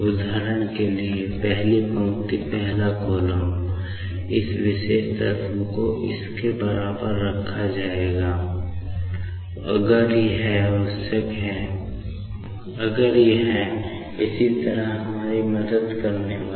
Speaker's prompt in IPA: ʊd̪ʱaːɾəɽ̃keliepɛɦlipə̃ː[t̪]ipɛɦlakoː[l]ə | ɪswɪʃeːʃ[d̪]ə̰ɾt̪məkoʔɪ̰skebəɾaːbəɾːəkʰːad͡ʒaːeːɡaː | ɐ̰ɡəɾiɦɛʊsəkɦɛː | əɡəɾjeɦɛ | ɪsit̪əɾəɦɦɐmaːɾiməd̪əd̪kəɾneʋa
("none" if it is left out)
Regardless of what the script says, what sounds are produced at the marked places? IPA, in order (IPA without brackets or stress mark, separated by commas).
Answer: t̪, l, t̪